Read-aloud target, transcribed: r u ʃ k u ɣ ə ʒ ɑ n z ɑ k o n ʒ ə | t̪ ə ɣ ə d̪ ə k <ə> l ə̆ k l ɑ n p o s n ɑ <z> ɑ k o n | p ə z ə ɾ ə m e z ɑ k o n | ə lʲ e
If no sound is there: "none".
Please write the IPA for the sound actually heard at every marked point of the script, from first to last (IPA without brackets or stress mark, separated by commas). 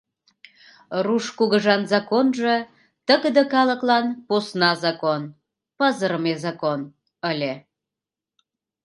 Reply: ɑ, z